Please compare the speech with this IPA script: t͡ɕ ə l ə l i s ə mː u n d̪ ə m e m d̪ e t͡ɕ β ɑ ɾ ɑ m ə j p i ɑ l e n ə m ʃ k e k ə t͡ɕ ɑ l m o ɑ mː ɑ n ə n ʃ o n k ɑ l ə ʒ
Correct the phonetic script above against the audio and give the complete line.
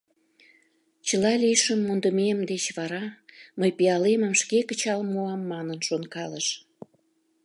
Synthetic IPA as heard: t͡ɕ ə l ɑ l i ʃ ə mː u n d̪ ə m e m d̪ e t͡ɕ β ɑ ɾ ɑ m ə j p i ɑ l e m ə m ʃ k e k ə t͡ɕ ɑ l m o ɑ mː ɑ n ə n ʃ o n k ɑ l ə ʃ